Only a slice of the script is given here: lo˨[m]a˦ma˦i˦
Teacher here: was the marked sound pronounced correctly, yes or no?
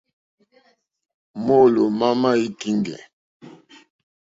yes